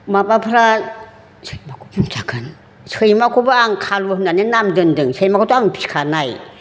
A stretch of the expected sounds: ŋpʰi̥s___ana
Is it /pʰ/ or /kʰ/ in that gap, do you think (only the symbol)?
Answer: kʰ